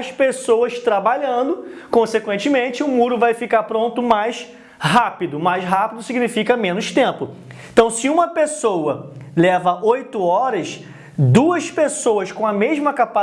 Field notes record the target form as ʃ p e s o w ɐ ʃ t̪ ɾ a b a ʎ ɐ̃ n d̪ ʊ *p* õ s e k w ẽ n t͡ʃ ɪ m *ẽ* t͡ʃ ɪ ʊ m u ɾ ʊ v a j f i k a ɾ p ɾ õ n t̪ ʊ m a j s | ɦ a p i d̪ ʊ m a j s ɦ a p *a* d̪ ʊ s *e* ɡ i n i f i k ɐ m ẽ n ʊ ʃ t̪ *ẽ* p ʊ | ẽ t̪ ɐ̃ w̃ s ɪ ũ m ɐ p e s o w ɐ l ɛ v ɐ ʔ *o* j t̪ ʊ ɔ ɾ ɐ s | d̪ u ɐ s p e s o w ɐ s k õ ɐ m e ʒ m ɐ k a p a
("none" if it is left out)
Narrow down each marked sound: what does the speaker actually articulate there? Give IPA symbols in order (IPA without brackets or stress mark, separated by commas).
k, ẽ, i, i, ẽ, o